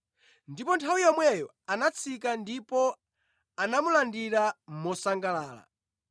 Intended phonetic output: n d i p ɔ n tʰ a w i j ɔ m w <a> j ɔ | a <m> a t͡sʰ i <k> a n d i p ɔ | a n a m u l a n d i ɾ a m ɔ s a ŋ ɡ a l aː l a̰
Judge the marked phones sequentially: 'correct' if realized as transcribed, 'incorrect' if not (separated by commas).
incorrect, incorrect, correct